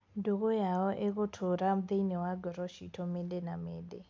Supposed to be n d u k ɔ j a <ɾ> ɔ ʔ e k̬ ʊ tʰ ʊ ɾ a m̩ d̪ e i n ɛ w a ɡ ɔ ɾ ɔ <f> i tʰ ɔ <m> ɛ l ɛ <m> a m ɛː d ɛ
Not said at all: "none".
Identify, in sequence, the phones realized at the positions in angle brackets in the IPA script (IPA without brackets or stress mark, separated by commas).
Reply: none, ʃ, m, n